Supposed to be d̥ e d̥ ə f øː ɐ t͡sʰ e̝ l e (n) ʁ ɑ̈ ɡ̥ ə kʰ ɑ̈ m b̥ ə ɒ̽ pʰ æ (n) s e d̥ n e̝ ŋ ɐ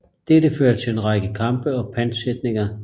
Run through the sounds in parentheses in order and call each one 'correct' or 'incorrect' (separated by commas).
correct, correct